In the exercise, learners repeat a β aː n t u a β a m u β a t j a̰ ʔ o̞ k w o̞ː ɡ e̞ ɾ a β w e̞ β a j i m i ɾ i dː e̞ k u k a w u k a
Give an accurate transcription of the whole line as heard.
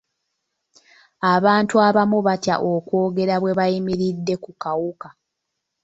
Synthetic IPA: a β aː n t u a β a m u β a t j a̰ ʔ o̞ k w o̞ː ɡ e̞ ɾ a β w e̞ β a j i m i ɾ i dː e̞ k u k a w u k a